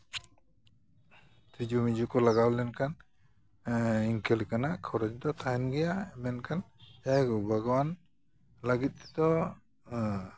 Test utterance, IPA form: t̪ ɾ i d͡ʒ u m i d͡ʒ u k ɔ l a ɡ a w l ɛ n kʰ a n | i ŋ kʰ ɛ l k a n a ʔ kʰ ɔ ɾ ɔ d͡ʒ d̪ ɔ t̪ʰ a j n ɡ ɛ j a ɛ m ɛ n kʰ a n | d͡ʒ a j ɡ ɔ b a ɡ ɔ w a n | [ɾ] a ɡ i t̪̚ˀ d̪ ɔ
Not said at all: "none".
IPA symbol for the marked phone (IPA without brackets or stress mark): l